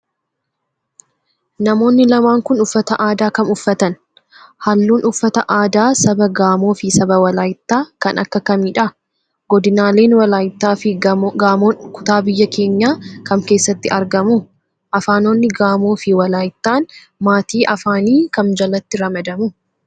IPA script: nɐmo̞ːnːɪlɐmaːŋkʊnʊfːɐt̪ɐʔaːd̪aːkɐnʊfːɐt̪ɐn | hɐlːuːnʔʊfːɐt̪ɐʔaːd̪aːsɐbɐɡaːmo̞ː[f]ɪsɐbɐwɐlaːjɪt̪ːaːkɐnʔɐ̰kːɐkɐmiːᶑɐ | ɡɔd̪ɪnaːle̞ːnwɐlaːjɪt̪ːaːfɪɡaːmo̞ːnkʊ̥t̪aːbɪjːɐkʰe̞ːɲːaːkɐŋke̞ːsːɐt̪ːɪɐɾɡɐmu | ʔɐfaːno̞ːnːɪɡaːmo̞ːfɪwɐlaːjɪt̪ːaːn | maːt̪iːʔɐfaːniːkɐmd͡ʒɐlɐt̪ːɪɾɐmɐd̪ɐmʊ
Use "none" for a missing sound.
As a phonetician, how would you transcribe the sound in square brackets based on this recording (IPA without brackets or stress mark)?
f